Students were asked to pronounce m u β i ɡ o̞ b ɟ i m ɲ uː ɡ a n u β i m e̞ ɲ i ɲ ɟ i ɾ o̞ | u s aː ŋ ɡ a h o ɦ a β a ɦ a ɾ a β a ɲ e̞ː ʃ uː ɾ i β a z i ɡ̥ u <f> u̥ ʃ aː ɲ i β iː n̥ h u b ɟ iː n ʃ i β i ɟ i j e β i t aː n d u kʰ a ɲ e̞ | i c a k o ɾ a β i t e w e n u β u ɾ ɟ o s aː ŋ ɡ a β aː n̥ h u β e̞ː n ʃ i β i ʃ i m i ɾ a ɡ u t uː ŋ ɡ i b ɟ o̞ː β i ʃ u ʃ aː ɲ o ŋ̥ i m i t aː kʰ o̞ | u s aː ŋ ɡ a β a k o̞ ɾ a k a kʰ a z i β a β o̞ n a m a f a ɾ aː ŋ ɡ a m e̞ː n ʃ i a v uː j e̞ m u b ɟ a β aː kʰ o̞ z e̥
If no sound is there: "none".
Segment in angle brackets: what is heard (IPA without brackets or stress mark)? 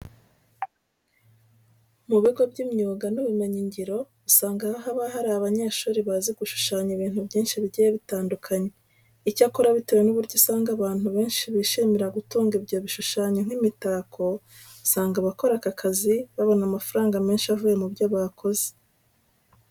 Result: ʃ